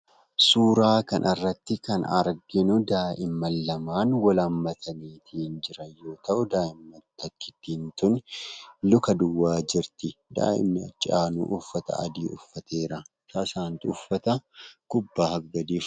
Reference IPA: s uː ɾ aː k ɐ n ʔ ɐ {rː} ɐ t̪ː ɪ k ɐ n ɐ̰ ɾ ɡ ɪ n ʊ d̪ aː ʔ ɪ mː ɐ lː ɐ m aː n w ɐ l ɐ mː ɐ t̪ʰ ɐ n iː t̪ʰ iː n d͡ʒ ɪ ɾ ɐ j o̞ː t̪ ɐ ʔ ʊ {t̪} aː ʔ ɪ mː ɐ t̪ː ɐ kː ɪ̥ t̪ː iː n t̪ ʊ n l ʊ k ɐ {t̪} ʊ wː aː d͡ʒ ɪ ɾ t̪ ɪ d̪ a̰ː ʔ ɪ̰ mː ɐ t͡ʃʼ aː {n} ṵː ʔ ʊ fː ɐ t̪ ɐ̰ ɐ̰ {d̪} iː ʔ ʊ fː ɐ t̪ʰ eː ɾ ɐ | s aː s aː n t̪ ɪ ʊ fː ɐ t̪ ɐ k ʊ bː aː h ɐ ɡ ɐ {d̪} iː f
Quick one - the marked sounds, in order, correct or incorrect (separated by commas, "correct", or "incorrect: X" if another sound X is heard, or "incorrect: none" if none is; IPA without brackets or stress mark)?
correct, incorrect: d̪, incorrect: d̪, correct, correct, correct